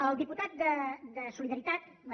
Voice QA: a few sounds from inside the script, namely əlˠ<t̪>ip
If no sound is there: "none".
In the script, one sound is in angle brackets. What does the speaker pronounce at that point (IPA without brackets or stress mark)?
d̪